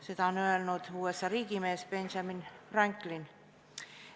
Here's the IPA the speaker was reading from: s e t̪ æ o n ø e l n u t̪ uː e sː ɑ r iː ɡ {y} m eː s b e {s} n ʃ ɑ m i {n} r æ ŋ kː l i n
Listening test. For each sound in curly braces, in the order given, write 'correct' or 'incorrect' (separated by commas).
incorrect, incorrect, correct